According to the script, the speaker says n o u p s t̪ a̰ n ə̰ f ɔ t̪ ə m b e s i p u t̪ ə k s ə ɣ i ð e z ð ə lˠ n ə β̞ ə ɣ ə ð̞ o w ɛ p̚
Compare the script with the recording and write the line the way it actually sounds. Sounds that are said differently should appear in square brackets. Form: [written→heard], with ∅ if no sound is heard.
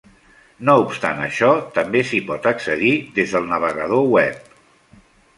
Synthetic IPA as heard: n o u p s t̪ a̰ n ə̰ [f→ʃ] ɔ t̪ ə m b e s i p [u→ɔ] t̪ ə k s ə [ɣ→ð] i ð e z ð ə lˠ n ə β̞ ə ɣ ə ð̞ o w ɛ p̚